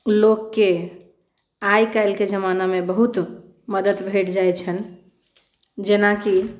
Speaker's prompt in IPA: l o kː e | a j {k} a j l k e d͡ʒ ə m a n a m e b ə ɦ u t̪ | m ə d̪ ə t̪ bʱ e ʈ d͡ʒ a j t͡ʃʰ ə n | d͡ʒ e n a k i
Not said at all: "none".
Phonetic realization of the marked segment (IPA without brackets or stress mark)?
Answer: k